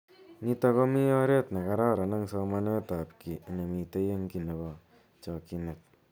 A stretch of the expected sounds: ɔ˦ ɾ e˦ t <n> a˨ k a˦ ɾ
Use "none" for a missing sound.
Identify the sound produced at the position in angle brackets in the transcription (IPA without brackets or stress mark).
n